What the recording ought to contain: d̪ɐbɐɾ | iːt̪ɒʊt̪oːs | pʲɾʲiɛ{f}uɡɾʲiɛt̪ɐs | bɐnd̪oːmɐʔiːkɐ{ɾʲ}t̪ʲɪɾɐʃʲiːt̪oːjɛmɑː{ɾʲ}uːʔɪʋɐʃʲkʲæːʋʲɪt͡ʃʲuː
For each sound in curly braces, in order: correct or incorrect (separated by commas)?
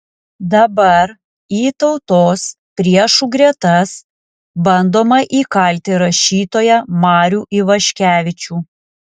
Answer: incorrect, incorrect, correct